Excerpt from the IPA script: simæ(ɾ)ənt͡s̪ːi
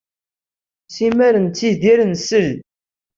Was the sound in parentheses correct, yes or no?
yes